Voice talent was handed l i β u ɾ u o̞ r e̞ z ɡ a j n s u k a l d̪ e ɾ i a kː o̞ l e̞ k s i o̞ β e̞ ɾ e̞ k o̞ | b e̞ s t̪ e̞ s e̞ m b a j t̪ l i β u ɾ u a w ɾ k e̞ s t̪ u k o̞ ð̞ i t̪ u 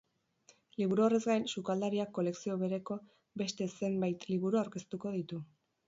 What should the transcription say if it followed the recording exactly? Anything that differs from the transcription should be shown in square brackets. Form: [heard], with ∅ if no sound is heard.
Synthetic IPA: l i β u ɾ u o̞ r e̞ z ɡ a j n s u k a l d̪ [a] ɾ i a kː o̞ l e̞ k s i o̞ β e̞ ɾ e̞ k o̞ | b e̞ s t̪ e̞ s e̞ m b a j t̪ l i β u ɾ u a w ɾ k e̞ s t̪ u k o̞ ð̞ i t̪ u